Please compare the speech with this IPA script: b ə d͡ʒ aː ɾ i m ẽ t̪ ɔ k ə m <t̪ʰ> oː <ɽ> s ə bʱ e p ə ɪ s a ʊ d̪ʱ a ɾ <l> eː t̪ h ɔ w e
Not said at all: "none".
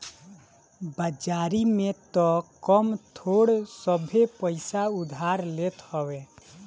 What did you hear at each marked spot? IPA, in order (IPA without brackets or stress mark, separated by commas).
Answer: t̪ʰ, ɽ, l